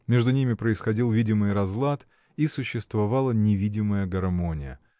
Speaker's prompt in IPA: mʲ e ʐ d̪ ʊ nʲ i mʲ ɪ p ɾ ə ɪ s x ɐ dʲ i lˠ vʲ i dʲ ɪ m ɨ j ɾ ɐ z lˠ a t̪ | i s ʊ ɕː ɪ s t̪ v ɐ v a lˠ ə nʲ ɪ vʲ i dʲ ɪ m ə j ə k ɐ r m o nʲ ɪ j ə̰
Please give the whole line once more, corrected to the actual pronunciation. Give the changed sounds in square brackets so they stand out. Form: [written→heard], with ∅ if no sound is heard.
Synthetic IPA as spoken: mʲ e ʐ d̪ ʊ nʲ i mʲ ɪ p ɾ ə ɪ s x ɐ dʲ i lˠ vʲ i dʲ ɪ m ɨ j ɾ ɐ z lˠ a t̪ | i s ʊ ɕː ɪ s t̪ v ɐ v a lˠ ə nʲ ɪ vʲ i dʲ ɪ m ə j ə [k→ɡ] ɐ r m o nʲ ɪ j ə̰